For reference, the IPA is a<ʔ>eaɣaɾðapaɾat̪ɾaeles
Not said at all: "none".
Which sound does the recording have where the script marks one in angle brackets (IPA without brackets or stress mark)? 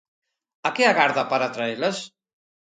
k